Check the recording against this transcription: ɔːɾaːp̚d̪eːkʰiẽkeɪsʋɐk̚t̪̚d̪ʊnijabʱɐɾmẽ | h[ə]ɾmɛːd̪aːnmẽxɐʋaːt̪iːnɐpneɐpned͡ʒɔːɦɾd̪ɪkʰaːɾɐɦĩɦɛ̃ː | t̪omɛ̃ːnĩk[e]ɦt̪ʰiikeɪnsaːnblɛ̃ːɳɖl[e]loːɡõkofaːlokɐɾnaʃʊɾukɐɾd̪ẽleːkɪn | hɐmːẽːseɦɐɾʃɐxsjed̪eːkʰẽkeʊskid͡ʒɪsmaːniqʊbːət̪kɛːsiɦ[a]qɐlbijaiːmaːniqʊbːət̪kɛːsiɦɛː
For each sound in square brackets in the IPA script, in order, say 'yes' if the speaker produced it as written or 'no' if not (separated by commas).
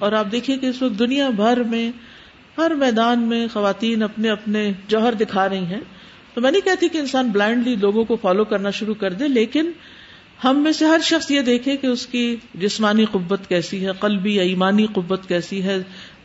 no, no, no, no